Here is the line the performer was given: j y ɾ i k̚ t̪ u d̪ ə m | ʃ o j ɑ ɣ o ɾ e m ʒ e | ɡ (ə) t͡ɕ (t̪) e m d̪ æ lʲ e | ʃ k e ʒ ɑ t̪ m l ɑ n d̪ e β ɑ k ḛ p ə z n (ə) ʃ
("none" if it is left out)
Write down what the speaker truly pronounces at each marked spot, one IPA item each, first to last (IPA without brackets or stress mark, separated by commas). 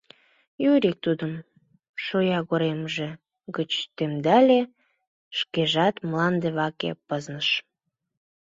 ə, t̪, ə